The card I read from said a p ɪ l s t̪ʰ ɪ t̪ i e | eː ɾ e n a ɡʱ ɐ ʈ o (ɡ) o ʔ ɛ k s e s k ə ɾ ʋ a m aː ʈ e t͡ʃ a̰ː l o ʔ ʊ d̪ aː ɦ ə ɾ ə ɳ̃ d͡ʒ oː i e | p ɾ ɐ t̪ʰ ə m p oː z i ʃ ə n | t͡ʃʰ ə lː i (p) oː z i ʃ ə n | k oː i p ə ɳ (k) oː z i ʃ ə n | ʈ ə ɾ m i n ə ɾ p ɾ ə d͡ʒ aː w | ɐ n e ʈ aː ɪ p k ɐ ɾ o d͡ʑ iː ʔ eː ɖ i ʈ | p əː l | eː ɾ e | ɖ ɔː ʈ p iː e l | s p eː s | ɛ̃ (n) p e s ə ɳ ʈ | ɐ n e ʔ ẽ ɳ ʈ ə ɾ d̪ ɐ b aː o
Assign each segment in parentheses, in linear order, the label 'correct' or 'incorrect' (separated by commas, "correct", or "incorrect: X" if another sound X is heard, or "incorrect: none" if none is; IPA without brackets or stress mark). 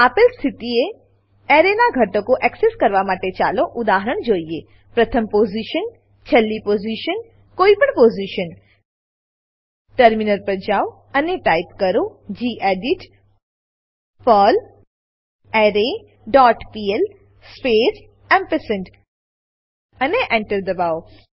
incorrect: k, correct, incorrect: p, incorrect: m